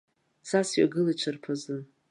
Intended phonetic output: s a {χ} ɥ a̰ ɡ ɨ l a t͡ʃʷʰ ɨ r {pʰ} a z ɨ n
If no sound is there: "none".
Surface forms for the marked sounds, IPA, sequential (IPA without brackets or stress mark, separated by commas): s, pʰ